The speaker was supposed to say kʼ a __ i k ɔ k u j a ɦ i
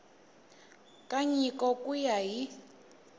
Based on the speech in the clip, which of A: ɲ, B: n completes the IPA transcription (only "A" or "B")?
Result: A